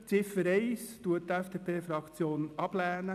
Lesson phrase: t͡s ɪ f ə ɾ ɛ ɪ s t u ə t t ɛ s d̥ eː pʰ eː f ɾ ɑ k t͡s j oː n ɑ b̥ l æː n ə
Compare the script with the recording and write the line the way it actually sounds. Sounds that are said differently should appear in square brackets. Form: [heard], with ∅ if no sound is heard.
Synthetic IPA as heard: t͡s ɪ f ə ɾ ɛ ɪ s t u ə t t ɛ [f] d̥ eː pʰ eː f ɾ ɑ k t͡s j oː n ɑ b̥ l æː n ə